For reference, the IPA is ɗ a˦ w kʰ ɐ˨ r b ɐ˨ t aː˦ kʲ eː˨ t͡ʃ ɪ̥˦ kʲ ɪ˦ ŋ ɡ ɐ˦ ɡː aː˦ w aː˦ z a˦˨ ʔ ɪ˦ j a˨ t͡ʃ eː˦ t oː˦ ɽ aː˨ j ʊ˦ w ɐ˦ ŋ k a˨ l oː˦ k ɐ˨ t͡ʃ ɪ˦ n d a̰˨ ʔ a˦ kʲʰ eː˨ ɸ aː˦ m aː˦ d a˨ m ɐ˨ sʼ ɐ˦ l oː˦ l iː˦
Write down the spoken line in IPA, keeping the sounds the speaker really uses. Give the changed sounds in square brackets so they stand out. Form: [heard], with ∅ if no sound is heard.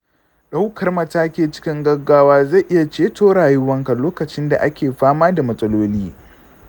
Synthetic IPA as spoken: ɗ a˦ w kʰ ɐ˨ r [m] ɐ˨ t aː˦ kʲ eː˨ t͡ʃ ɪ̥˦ kʲ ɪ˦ ŋ ɡ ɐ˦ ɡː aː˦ w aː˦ z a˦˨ ʔ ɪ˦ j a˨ t͡ʃ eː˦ t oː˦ ɽ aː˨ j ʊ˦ w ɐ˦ ŋ k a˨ l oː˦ k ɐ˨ t͡ʃ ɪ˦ n d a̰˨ ʔ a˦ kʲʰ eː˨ ɸ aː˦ m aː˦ d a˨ m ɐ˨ sʼ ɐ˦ l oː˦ l iː˦

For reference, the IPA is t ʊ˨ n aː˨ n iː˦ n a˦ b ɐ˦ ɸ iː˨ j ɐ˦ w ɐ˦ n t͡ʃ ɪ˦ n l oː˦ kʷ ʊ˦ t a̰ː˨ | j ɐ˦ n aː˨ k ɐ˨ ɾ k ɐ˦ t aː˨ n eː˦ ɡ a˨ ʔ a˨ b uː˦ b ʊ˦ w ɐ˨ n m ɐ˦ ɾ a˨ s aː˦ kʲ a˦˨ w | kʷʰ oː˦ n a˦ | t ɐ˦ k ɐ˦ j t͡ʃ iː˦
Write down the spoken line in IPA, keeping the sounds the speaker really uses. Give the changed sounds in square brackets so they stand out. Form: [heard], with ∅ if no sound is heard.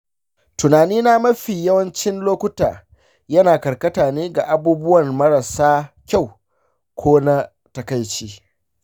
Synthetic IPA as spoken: t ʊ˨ n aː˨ n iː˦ n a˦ [m] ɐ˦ ɸ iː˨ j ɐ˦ w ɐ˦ n t͡ʃ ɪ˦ n l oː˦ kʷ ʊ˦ t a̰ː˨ | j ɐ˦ n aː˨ k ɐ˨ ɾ k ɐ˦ t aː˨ n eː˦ ɡ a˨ ʔ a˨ b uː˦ b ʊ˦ w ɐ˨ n m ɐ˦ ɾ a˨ s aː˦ kʲ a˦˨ w | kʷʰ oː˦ n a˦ | t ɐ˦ k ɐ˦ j t͡ʃ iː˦

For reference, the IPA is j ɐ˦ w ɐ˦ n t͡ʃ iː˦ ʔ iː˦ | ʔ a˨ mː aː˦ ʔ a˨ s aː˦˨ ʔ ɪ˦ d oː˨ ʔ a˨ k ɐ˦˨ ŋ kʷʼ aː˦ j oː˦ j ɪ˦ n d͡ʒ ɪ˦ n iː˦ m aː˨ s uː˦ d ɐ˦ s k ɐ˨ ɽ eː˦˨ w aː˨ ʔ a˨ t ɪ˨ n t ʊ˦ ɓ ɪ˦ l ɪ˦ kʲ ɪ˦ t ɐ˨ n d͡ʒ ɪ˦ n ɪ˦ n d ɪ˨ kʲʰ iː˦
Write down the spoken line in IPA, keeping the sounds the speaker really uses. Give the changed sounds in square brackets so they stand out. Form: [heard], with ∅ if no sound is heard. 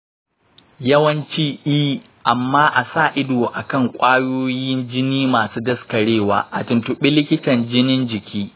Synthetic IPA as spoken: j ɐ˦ w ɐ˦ n t͡ʃ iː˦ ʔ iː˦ | ʔ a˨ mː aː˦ ʔ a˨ s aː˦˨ ʔ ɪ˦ d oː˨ ʔ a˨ k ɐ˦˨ ŋ kʷʼ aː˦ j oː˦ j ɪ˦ n d͡ʒ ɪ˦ n iː˦ m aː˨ s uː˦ d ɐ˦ s k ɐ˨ ɽ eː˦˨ w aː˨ ʔ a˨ t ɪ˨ n t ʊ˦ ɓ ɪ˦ l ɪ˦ kʲ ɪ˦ t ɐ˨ n d͡ʒ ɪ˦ n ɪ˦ n [d͡ʒ] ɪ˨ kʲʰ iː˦

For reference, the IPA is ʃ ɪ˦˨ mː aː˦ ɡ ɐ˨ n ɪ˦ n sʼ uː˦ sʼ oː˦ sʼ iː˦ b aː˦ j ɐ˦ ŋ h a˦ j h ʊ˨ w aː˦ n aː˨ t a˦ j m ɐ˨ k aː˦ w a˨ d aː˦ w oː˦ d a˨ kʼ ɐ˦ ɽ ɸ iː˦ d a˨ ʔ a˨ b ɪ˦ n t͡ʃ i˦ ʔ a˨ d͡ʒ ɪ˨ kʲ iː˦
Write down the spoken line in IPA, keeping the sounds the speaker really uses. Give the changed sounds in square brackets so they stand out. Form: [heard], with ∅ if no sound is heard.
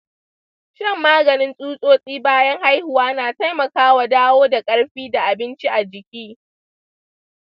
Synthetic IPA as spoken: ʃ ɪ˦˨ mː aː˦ ɡ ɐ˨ n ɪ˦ n sʼ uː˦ sʼ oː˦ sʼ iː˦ b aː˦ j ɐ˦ ŋ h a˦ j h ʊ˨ w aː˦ n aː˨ t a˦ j m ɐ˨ k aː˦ w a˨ d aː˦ w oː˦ d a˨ kʼ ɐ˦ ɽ ɸ iː˦ d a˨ ʔ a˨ b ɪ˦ n t͡ʃ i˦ ʔ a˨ d͡ʒ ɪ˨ kʲ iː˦

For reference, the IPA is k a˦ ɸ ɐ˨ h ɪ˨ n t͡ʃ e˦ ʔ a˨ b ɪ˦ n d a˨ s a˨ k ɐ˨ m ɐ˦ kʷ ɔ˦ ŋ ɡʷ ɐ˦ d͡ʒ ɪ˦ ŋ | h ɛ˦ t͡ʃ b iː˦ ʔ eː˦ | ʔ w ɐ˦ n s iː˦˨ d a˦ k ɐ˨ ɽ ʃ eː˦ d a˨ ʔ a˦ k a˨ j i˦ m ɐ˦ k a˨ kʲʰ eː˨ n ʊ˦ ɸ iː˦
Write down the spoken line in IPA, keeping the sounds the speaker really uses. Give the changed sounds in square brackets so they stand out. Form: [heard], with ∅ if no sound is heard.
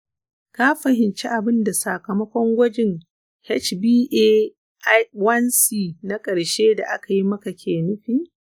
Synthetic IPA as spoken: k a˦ ɸ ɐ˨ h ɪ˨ n t͡ʃ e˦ ʔ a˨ b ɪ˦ n d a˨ s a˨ k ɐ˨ m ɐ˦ kʷ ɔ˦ ŋ ɡʷ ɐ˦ d͡ʒ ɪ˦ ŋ | h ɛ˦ t͡ʃ b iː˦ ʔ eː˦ | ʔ w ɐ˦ n s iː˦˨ [n] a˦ [kʼ] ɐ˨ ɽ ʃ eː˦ d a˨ ʔ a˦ k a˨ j i˦ m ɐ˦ k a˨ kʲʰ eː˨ n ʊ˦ ɸ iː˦

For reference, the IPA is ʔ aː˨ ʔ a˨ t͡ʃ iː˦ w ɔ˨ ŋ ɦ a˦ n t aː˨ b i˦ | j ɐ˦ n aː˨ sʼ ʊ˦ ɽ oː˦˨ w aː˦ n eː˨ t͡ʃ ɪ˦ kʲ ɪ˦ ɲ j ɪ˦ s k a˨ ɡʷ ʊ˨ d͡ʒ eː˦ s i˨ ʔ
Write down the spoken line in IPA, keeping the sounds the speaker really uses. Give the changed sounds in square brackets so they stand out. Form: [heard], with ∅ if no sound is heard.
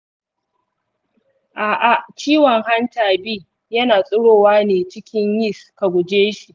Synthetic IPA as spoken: ʔ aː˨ ʔ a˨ t͡ʃ iː˦ w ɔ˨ ŋ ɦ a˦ n t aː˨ b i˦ | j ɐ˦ n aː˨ sʼ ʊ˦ ɽ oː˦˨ w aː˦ n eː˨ t͡ʃ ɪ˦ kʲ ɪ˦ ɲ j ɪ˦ s k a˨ ɡʷ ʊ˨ d͡ʒ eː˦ [ʃ] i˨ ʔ

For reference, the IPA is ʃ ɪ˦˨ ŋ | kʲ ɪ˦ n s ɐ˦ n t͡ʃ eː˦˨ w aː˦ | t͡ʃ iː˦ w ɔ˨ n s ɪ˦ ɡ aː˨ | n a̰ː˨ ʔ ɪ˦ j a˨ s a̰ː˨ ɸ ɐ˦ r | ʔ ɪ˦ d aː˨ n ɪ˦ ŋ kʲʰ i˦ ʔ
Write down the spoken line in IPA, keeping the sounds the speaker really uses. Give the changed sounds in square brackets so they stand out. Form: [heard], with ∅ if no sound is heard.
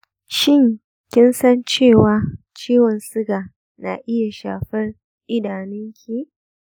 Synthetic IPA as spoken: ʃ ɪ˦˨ ŋ | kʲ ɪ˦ n s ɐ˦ n t͡ʃ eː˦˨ w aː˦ | t͡ʃ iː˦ w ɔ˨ n s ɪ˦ ɡ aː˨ | n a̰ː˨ ʔ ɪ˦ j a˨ [ʃ] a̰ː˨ ɸ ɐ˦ r | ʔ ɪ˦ d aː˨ n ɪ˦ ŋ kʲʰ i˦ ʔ

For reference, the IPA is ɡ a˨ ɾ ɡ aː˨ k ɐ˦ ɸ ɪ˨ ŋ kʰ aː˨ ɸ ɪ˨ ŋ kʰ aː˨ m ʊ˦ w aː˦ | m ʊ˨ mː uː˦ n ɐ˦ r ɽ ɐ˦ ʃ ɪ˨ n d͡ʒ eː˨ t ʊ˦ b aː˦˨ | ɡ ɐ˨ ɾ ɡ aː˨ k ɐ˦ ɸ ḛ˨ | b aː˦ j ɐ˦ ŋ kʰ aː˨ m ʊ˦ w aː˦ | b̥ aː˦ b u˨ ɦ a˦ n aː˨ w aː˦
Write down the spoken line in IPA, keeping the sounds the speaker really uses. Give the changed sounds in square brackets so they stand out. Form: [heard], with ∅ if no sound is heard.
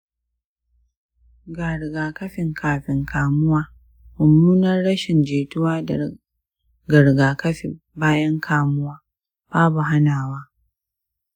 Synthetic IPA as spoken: ɡ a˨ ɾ ɡ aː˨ k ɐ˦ ɸ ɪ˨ ŋ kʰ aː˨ ɸ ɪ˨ ŋ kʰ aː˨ m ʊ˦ w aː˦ | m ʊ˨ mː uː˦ n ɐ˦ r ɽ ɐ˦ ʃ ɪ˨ n d͡ʒ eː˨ t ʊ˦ [w] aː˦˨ | ɡ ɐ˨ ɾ ɡ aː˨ k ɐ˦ ɸ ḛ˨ | b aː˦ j ɐ˦ ŋ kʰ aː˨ m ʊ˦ w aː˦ | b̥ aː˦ b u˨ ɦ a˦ n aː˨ w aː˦

